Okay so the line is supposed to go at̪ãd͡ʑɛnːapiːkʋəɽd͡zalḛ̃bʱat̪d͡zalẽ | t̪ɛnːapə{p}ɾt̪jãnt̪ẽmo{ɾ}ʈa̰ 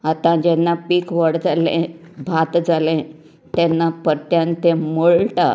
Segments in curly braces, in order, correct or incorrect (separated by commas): incorrect, incorrect